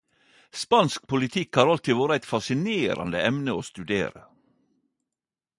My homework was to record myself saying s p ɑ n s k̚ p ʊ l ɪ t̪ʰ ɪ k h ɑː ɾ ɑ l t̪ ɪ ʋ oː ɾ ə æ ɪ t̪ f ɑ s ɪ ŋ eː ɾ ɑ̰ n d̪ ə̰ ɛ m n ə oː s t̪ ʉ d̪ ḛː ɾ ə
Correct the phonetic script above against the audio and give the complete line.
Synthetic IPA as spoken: s p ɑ n s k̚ p ʊ l ɪ t̪ʰ ɪ k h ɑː ɾ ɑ l t̪ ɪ ʋ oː ɾ ə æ ɪ t̪ f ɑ s ɪ n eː ɾ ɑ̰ n d̪ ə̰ ɛ m n ə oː s t̪ ʉ d̪ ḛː ɾ ə